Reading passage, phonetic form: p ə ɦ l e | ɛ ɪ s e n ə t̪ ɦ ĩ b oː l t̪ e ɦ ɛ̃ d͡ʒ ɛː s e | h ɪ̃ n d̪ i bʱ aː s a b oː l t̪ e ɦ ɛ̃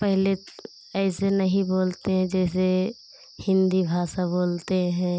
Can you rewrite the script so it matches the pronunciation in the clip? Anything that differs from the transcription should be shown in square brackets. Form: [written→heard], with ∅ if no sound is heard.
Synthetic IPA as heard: p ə ɦ l e | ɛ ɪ s e n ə [t̪→∅] ɦ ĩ b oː l t̪ e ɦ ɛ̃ d͡ʒ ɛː s e | h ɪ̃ n d̪ i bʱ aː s a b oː l t̪ e ɦ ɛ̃